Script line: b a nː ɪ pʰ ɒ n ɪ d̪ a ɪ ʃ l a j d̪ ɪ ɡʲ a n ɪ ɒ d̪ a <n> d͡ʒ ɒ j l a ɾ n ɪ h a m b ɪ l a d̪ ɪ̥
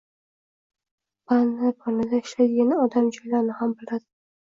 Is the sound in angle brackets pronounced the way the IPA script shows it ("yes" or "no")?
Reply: no